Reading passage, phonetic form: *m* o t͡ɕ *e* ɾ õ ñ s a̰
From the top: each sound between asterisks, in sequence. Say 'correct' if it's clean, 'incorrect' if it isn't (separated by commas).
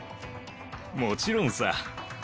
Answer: correct, incorrect